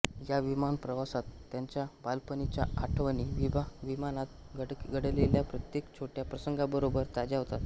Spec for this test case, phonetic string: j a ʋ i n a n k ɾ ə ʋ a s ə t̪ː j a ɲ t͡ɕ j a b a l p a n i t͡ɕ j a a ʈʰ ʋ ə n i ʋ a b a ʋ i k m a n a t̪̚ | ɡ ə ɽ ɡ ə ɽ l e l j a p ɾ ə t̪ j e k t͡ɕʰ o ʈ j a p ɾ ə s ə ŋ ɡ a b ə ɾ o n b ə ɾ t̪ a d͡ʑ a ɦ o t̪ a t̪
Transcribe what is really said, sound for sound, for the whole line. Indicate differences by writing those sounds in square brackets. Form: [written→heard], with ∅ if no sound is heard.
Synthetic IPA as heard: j a ʋ i [n→m] a n [k→p] ɾ ə ʋ a s [ə→a] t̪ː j a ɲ t͡ɕ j a b a l p [a→ə] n i t͡ɕ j a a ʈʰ ʋ ə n i ʋ [a→i] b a ʋ i [k→∅] m a n a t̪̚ | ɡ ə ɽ ɡ ə ɽ l e l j a p ɾ ə t̪ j e k t͡ɕʰ o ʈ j a p ɾ ə s ə ŋ ɡ a b ə ɾ o [n→∅] b ə ɾ t̪ a d͡ʑ a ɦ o t̪ a t̪

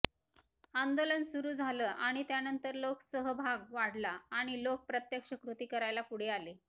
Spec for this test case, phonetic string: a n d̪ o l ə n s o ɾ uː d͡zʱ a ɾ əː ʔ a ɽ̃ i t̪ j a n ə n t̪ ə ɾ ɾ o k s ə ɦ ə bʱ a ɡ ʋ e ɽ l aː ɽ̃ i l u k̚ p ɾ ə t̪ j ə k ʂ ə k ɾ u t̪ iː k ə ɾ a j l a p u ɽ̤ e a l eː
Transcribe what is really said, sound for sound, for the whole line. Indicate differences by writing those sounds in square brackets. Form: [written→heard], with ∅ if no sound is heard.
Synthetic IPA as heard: a n d̪ o l ə n s [o→u] ɾ uː d͡zʱ a [ɾ→l] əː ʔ a ɽ̃ i t̪ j a n ə n t̪ ə ɾ [ɾ→l] o k s ə ɦ ə bʱ a ɡ ʋ [e→a] ɽ l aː ɽ̃ i l [u→o] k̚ p ɾ ə t̪ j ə k ʂ ə k ɾ u t̪ iː k ə ɾ a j l a p u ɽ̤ e a l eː

